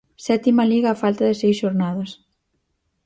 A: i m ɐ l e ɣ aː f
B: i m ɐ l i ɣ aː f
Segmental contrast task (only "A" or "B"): B